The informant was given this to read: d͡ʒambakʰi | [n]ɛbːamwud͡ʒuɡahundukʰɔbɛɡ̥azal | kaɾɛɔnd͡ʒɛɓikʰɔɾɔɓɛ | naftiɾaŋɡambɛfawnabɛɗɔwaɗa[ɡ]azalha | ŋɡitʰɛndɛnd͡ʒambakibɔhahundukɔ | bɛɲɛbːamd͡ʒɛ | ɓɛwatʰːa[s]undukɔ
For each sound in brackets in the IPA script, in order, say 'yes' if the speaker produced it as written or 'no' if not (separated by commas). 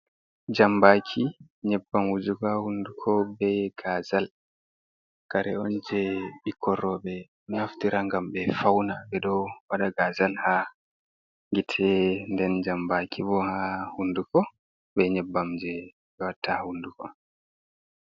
no, yes, no